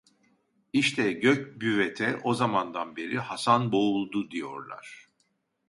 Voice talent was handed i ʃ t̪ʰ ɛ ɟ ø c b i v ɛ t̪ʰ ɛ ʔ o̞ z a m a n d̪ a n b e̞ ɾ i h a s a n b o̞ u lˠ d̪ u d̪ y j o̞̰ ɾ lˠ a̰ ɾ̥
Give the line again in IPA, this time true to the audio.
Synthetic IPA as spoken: i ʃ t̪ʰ ɛ ɟ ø c b y v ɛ t̪ʰ ɛ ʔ o̞ z a m a n d̪ a n b e̞ ɾ i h a s a n b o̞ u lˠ d̪ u d̪ i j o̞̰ ɾ lˠ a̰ ɾ̥